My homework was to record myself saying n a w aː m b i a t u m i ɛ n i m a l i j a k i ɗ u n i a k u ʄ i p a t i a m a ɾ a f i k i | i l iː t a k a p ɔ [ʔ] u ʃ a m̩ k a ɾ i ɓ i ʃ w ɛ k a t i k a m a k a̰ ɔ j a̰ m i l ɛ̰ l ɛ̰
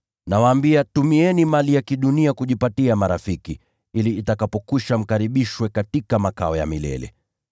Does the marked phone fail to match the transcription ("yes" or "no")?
yes